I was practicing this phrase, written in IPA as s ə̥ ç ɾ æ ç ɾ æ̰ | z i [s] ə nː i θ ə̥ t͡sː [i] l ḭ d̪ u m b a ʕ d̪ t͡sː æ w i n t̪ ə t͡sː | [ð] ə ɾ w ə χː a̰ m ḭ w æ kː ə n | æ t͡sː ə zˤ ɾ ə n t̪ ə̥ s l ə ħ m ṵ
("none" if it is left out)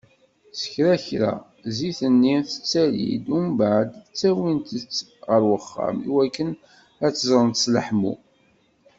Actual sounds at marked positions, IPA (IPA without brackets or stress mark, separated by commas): θ, æ, ʁ